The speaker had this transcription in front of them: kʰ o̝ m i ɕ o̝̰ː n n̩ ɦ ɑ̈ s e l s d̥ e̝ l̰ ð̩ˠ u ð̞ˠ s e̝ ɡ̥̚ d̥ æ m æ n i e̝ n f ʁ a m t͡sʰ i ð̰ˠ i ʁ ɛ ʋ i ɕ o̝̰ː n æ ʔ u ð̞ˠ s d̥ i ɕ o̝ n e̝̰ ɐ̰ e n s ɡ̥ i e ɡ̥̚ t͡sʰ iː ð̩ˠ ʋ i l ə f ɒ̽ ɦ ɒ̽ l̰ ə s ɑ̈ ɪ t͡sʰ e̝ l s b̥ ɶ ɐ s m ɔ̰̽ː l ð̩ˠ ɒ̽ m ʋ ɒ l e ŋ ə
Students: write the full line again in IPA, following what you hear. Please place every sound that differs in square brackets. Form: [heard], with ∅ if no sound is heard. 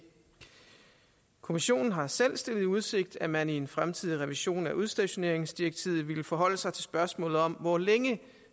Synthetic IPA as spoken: kʰ o̝ m i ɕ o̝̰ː n n̩ ɦ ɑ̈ s e l s d̥ e̝ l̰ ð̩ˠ u ð̞ˠ s e̝ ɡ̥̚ d̥ æ m æ n i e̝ n f ʁ a m t͡sʰ i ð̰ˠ i ʁ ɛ ʋ i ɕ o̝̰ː n æ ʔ u ð̞ˠ s d̥ [æ] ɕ o̝ n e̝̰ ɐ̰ e [ŋ] s [d̥] i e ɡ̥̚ t͡sʰ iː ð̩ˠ ʋ i l ə f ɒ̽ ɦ ɒ̽ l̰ ə s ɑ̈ ɪ t͡sʰ e̝ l s b̥ ɶ ɐ s m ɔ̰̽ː l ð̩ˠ ɒ̽ m ʋ ɒ l e ŋ ə